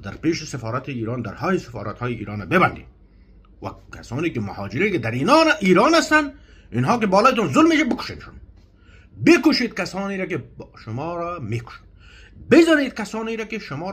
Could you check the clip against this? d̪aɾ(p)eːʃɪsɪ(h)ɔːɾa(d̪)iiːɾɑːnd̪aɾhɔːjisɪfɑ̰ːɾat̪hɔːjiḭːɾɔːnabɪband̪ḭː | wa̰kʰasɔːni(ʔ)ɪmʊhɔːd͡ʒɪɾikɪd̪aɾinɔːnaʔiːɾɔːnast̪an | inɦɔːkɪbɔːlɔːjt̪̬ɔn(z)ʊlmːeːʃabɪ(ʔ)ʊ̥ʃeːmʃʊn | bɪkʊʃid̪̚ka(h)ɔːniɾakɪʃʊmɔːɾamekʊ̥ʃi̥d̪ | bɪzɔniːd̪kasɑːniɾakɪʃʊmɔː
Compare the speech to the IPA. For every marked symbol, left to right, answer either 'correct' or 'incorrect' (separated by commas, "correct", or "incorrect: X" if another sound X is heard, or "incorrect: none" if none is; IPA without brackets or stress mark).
correct, incorrect: f, incorrect: t̪, incorrect: k, correct, incorrect: k, incorrect: s